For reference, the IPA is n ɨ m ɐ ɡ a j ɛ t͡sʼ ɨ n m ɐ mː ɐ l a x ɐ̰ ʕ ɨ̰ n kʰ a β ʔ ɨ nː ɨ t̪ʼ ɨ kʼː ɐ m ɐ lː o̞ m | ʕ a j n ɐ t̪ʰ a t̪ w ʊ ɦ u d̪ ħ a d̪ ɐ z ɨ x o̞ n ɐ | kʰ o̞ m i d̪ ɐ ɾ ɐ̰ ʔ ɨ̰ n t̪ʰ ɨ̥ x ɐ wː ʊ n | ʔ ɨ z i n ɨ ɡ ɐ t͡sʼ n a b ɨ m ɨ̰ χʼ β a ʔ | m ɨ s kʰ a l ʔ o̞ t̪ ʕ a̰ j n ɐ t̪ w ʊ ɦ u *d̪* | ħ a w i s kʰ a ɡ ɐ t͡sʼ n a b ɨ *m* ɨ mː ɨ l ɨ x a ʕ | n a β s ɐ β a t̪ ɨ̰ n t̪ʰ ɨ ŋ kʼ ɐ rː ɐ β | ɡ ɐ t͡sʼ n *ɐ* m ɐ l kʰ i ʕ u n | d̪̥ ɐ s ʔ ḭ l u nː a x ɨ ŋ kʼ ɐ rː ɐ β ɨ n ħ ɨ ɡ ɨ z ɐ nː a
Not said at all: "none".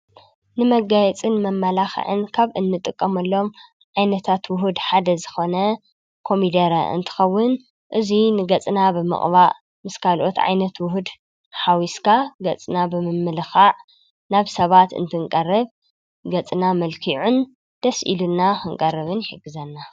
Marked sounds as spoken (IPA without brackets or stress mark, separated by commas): d̪, m, a